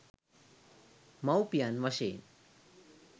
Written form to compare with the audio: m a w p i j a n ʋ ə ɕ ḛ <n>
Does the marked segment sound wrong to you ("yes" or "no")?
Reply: no